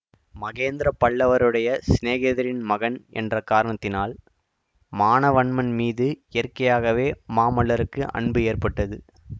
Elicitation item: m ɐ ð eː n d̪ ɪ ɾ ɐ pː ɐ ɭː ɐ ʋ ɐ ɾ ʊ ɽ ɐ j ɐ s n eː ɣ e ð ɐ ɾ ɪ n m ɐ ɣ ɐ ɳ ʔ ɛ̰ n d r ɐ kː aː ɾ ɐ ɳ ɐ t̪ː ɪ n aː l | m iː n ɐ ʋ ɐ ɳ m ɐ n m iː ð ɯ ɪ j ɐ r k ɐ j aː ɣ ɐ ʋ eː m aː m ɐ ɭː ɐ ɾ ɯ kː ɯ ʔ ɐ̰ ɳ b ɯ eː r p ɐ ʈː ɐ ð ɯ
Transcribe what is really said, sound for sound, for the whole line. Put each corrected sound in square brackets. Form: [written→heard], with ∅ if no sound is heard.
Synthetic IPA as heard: m ɐ [ð→ɣ] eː n d̪ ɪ ɾ ɐ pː ɐ ɭː ɐ ʋ ɐ ɾ [ʊ→ɯ] ɽ ɐ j ɐ s n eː ɣ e ð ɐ ɾ ɪ n m ɐ ɣ ɐ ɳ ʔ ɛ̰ n d r ɐ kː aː ɾ ɐ ɳ ɐ t̪ː ɪ n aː l | m [iː→aː] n ɐ ʋ ɐ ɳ m ɐ n m iː ð ɯ ɪ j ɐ r k ɐ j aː ɣ ɐ ʋ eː m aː m ɐ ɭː ɐ ɾ ɯ kː ɯ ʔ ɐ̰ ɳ b ɯ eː r p ɐ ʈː ɐ ð ɯ